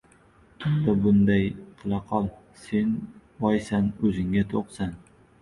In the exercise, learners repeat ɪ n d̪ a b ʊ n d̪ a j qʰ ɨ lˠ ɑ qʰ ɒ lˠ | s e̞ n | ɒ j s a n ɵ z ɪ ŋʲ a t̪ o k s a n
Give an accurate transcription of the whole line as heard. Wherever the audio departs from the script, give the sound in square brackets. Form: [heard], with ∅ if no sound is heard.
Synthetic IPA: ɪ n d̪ a b ʊ n d̪ a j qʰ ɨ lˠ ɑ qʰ ɒ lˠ | s e̞ n | ɒ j s a n ɵ z ɪ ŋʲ a [t̪ʰ] o [q] s a n